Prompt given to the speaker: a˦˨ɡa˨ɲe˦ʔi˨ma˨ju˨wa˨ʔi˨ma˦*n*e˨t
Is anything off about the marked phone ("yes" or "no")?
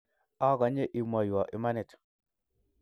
no